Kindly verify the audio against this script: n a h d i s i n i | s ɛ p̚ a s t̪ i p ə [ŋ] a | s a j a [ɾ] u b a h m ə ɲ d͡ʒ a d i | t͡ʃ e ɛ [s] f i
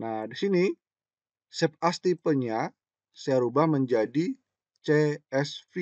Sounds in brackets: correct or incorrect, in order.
incorrect: ɲ, correct, correct

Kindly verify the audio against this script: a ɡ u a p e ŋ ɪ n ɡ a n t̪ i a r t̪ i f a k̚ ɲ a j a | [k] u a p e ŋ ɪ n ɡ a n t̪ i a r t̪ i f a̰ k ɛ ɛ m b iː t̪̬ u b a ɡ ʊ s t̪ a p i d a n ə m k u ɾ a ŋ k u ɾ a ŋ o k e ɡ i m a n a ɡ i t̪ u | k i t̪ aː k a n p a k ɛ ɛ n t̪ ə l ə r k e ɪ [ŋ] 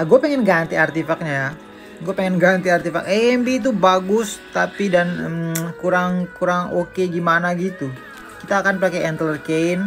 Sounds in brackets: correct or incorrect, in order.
incorrect: ɡ, incorrect: n

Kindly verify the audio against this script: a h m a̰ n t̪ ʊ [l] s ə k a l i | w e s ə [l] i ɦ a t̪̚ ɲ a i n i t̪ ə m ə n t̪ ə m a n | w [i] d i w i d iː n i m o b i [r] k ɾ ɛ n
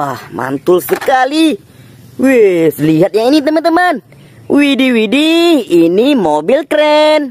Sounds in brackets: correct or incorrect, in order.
correct, correct, correct, incorrect: l

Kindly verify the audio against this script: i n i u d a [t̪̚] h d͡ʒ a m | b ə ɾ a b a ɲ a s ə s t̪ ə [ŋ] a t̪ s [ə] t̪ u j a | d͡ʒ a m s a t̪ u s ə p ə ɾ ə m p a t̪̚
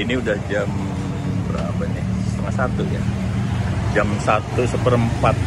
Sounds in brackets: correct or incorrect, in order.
incorrect: none, correct, incorrect: a

